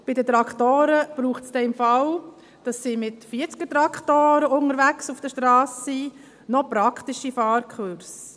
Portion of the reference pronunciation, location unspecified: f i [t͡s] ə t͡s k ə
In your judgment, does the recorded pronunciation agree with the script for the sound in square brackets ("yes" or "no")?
no